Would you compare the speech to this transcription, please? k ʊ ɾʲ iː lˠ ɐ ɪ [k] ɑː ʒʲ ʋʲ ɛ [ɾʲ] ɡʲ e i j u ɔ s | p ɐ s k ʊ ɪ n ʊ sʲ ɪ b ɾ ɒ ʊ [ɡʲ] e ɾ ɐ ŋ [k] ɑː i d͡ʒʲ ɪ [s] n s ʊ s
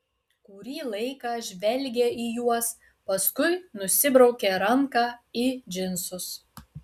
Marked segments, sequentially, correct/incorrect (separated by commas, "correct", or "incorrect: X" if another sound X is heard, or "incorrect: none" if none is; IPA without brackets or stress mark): correct, incorrect: lʲ, incorrect: kʲ, correct, incorrect: none